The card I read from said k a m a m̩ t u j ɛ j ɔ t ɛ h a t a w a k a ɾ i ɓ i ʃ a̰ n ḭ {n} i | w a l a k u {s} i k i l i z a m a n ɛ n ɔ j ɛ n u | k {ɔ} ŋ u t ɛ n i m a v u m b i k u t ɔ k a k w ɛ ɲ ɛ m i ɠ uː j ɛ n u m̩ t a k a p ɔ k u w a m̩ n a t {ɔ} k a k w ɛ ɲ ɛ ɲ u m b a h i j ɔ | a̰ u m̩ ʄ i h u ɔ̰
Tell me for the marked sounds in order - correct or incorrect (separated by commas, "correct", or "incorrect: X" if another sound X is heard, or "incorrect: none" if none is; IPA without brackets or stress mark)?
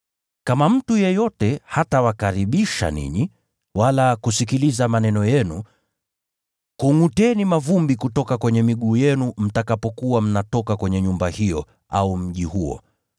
incorrect: ɲ, correct, incorrect: u, correct